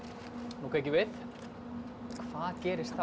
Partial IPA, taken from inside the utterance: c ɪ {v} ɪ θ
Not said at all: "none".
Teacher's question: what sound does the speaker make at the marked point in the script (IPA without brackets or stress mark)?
v